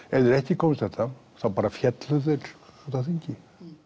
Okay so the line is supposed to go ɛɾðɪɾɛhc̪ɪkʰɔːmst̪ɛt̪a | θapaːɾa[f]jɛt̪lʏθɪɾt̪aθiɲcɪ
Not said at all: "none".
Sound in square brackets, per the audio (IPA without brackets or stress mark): f